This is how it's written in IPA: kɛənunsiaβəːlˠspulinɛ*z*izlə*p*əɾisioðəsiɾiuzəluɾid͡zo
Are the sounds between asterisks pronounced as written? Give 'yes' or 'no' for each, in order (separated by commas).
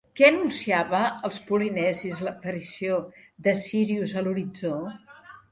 yes, yes